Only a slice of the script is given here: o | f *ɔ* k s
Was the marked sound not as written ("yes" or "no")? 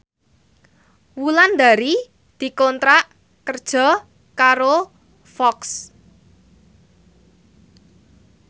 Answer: no